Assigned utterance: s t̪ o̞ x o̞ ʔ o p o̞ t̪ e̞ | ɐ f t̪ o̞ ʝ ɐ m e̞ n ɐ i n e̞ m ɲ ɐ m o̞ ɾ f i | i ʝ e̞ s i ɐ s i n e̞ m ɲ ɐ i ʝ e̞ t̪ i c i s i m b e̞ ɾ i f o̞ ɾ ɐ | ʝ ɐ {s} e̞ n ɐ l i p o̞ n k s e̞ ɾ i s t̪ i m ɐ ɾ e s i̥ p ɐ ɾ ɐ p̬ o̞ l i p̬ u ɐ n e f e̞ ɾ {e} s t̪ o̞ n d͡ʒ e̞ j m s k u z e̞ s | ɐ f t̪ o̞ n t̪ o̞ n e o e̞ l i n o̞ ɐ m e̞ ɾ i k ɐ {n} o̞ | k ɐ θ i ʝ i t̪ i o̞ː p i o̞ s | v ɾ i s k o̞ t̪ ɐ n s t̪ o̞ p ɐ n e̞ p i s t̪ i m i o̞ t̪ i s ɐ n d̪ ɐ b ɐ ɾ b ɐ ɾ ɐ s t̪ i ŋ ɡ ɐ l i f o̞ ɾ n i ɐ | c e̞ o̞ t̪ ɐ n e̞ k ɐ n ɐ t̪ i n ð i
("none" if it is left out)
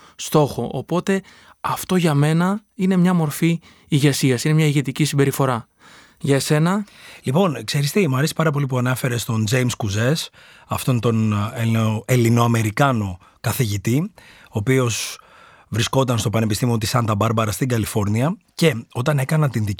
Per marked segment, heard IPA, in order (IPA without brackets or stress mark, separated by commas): s, e, n